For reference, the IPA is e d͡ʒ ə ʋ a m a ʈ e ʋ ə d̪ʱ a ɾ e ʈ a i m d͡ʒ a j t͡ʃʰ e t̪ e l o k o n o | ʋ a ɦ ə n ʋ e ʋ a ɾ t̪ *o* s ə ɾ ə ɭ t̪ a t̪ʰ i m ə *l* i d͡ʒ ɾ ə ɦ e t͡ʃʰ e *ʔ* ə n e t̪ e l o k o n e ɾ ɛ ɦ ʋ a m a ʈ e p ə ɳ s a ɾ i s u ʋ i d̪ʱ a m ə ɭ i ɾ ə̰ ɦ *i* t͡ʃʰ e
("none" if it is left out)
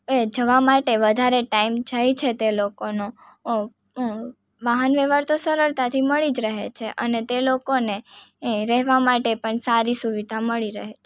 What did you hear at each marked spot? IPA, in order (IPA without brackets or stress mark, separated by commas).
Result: o, ɭ, ʔ, e